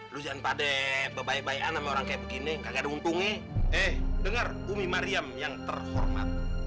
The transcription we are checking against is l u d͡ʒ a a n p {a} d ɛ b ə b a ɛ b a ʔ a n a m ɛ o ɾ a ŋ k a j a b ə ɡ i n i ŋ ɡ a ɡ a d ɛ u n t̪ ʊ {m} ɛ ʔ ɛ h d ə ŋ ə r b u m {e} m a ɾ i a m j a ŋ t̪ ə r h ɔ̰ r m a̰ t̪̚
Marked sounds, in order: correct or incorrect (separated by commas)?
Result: correct, incorrect, incorrect